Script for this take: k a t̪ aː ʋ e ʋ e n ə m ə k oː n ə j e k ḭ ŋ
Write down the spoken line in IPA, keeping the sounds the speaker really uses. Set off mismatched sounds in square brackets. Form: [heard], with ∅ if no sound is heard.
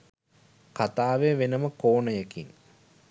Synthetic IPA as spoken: k a t̪ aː ʋ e ʋ e n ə m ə k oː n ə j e k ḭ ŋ